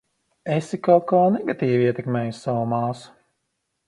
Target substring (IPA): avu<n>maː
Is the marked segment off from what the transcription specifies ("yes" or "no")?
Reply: yes